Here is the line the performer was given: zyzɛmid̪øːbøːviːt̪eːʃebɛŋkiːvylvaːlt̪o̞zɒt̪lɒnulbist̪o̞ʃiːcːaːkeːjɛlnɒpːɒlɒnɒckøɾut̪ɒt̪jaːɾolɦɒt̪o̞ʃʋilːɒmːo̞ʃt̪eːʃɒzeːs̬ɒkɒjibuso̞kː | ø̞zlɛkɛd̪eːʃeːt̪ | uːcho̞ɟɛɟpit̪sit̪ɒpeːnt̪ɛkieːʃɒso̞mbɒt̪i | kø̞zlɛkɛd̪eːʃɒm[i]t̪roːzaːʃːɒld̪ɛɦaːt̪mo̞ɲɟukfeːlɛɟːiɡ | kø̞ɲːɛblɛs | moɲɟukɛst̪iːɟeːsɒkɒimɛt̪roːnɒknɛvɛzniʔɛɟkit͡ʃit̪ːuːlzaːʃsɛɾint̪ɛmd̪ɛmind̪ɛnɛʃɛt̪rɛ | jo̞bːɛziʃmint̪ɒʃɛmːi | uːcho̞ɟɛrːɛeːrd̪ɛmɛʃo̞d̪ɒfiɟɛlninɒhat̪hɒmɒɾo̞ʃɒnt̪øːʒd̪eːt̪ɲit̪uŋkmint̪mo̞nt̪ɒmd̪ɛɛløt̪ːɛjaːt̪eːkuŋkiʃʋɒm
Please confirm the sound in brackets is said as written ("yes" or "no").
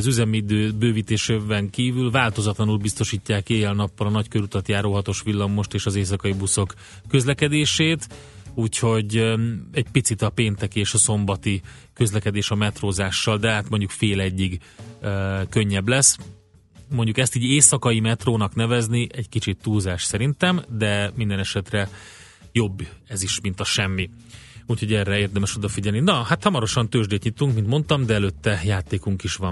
no